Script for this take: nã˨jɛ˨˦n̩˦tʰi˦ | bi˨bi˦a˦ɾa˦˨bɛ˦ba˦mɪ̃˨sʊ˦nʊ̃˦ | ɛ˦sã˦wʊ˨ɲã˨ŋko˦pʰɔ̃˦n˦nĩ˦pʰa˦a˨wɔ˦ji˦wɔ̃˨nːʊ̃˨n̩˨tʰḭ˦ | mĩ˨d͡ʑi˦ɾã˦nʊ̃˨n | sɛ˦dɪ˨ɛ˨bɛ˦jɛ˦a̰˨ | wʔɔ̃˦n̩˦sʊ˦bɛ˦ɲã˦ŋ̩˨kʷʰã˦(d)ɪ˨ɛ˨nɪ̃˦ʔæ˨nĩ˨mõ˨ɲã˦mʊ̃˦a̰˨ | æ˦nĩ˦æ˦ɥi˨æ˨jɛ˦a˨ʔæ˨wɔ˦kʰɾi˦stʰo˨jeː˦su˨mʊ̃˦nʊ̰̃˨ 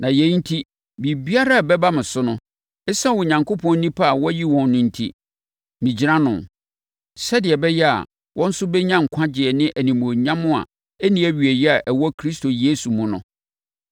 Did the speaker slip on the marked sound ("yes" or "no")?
yes